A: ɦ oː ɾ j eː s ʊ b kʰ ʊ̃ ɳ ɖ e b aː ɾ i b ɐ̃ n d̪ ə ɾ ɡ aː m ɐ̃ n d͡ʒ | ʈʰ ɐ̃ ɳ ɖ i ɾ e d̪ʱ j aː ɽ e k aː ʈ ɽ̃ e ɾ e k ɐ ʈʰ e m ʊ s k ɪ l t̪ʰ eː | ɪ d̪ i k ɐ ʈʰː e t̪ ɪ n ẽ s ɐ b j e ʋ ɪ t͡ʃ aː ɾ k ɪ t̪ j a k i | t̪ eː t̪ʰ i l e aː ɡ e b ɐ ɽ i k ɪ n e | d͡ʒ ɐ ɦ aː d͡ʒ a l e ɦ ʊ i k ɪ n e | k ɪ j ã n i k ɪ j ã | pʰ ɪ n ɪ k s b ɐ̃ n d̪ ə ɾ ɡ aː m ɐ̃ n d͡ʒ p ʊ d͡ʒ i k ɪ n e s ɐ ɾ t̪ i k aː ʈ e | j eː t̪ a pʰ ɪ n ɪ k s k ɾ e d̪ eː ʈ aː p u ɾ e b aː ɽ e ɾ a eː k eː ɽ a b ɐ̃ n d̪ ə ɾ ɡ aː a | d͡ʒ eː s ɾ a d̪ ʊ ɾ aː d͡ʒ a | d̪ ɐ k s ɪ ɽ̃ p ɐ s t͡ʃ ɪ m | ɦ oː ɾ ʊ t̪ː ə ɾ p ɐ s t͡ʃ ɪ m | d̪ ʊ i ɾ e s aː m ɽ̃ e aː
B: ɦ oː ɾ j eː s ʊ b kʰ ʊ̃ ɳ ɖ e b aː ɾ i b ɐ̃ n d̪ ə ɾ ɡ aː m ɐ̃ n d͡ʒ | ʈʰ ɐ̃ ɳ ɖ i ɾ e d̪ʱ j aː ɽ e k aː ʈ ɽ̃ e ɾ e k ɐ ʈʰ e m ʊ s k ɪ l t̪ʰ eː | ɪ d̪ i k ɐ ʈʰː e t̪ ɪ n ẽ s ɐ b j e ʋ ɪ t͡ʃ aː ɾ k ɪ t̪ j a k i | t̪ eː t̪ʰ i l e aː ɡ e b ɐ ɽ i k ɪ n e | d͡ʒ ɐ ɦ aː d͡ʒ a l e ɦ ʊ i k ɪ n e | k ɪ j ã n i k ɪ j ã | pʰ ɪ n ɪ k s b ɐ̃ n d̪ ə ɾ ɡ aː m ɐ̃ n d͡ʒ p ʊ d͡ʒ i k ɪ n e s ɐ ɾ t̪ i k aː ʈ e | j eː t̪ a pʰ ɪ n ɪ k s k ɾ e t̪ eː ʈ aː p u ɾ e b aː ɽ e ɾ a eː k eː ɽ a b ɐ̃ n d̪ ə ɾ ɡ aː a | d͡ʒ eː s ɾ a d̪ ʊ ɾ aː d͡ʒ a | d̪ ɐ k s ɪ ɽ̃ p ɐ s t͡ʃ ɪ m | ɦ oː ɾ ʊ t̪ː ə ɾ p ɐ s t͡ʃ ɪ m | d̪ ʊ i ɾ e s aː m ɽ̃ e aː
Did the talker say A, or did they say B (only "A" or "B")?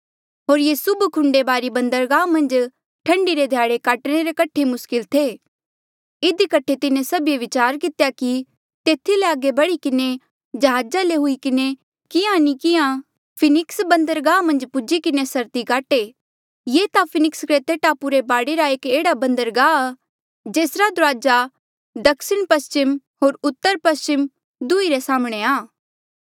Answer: B